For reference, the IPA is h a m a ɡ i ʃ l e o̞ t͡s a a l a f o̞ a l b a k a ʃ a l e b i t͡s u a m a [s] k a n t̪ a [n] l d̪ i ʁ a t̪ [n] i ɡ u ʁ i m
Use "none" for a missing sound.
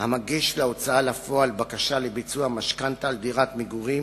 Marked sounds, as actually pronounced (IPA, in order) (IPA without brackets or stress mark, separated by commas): ʃ, none, m